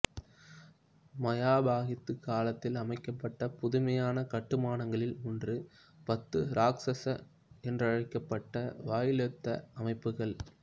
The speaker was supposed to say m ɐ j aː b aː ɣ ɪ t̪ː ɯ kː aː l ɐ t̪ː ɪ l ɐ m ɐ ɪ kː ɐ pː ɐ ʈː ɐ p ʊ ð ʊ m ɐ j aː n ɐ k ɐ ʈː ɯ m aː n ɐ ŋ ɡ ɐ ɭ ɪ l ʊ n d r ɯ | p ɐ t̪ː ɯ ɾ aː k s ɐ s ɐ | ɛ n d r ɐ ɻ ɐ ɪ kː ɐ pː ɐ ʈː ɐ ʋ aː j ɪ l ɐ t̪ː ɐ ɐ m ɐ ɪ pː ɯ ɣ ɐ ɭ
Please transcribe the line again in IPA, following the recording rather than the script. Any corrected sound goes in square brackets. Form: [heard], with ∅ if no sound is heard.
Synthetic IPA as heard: m ɐ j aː b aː ɣ ɪ t̪ː ɯ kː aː l ɐ t̪ː ɪ l ɐ m ɐ ɪ kː ɐ pː ɐ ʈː ɐ p ʊ ð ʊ m ɐ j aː n ɐ k ɐ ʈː ɯ m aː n ɐ ŋ ɡ ɐ ɭ ɪ l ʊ n d r ɯ | p ɐ t̪ː ɯ ɾ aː k s ɐ s ɐ | ɛ n d r ɐ ɻ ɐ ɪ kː ɐ pː ɐ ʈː ɐ ʋ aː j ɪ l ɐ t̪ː ɐ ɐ m ɐ ɪ pː ɯ ɣ ɐ ɭ